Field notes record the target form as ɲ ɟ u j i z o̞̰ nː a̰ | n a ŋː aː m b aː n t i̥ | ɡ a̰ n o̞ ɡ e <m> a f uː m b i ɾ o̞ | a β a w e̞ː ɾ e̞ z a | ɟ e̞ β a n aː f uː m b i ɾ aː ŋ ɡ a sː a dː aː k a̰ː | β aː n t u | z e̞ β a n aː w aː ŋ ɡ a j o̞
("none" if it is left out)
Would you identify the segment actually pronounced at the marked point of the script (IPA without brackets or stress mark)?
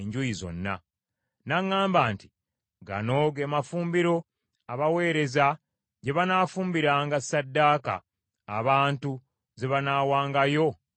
m